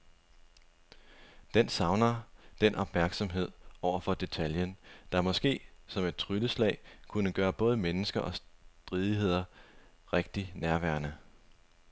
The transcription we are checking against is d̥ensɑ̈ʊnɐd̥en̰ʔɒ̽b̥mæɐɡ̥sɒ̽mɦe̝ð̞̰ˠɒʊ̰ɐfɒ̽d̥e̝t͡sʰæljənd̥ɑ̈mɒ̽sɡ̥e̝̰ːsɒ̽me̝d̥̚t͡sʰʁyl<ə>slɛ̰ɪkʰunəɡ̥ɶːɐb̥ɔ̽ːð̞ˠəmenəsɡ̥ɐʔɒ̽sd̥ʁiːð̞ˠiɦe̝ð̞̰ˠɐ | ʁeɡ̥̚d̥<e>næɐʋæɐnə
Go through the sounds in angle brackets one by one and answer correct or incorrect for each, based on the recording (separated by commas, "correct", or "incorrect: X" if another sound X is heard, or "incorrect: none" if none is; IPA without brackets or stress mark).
correct, incorrect: i